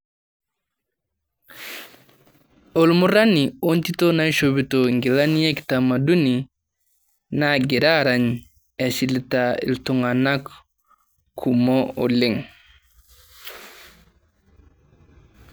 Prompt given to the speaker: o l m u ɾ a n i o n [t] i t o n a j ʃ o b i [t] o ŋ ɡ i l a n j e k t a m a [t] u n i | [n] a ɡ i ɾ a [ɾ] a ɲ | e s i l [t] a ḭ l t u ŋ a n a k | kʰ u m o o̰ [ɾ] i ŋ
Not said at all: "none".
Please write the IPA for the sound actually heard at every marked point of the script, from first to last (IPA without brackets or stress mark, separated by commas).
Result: t, t, d, n, ɾ, t, l